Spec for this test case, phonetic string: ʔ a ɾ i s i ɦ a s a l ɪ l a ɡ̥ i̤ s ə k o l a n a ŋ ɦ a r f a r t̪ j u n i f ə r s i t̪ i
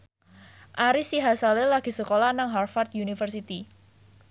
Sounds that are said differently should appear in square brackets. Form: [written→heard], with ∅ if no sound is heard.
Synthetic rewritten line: ʔ a ɾ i s i ɦ a s a l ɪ l a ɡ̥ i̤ s ə k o l a n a ŋ ɦ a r f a r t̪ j u n i f ə r s i t̪ i